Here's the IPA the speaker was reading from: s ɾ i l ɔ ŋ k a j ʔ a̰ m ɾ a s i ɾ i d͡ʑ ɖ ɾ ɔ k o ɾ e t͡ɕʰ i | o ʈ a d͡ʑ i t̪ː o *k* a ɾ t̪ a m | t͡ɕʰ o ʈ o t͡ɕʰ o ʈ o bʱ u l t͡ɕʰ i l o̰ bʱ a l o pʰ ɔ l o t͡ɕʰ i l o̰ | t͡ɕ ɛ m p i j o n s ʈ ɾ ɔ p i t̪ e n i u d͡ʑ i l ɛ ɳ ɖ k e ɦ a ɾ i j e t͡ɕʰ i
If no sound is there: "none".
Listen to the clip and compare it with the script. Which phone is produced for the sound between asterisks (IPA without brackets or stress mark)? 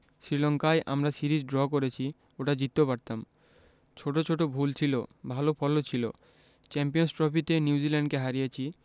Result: p